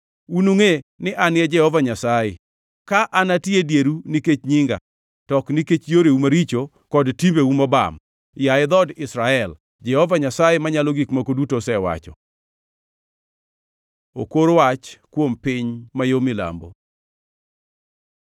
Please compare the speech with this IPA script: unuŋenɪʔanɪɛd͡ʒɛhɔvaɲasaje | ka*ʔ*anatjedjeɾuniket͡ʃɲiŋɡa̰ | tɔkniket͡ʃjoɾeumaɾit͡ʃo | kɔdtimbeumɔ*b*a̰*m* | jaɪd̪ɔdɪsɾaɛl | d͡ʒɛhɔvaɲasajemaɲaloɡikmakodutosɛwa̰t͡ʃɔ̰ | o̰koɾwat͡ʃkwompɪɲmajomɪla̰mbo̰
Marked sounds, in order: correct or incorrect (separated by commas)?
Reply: correct, correct, correct